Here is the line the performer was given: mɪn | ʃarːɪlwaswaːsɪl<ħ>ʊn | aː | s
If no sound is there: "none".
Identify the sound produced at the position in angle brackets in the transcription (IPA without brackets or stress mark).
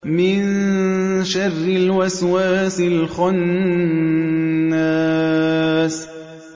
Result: x